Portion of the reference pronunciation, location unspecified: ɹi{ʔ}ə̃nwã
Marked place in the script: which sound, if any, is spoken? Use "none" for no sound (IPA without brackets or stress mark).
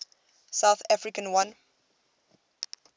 k